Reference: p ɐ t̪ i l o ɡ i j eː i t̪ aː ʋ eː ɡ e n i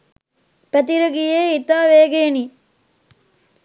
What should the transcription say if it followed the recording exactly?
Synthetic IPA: p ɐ t̪ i ɾ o ɡ i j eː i t̪ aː ʋ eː ɡ e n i